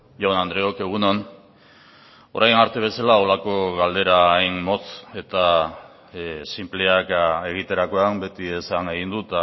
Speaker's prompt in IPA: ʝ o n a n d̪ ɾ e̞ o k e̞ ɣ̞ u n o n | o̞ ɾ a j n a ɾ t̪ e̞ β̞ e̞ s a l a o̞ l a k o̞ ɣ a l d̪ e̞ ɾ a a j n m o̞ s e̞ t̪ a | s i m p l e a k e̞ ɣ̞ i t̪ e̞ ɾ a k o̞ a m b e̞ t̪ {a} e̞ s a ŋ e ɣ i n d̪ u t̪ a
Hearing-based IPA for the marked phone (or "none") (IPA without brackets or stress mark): i